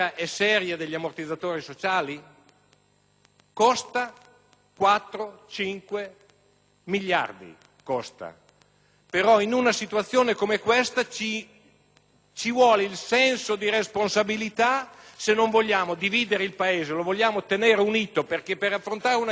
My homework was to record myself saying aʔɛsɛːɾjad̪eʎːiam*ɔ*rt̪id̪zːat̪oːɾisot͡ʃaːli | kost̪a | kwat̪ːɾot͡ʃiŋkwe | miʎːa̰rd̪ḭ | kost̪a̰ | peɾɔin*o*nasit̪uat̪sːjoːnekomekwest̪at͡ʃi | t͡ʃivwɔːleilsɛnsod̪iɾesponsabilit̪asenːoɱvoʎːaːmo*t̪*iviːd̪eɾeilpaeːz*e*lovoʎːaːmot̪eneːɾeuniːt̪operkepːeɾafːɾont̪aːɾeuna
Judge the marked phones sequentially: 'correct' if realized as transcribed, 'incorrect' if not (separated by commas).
incorrect, incorrect, incorrect, correct